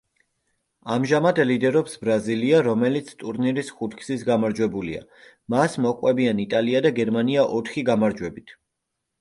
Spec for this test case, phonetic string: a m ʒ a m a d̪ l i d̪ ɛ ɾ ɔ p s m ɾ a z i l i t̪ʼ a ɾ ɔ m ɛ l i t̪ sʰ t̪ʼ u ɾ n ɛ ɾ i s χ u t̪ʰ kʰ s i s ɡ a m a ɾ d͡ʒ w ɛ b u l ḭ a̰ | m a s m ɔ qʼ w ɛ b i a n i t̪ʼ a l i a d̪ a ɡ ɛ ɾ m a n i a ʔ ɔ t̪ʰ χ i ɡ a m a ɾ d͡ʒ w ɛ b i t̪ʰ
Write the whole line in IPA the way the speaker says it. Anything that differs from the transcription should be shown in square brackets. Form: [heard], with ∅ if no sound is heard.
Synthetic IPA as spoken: a m ʒ a m a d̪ l i d̪ ɛ ɾ ɔ p s [b] ɾ a z i l i [∅] a ɾ ɔ m ɛ l i t̪ sʰ t̪ʼ u ɾ n [i] ɾ i s χ u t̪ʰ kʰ s i s ɡ a m a ɾ d͡ʒ w ɛ b u l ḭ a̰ | m a s m ɔ qʼ w ɛ b i a n i t̪ʼ a l i a d̪ a ɡ ɛ ɾ m a n i a ʔ ɔ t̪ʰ χ i ɡ a m a ɾ d͡ʒ w ɛ b i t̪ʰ